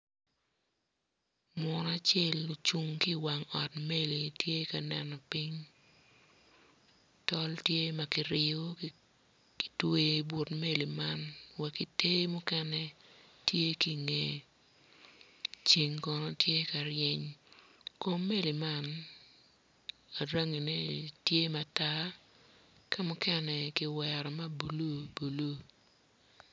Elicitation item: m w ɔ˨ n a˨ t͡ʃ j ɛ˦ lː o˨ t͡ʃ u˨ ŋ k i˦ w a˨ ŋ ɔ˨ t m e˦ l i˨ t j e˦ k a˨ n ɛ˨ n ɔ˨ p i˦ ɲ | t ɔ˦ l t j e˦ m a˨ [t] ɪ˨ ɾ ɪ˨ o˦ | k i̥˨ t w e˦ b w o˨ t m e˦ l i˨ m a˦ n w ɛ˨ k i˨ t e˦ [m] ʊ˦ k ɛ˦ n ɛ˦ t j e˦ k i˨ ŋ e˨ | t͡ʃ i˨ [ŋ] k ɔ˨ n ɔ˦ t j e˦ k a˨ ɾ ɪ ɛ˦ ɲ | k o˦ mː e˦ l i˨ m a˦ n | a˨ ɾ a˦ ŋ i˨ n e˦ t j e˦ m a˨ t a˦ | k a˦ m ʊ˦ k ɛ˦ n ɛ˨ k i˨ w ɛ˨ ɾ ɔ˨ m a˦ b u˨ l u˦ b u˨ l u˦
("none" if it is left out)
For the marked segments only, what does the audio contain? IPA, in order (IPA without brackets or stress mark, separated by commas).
k, m, ŋ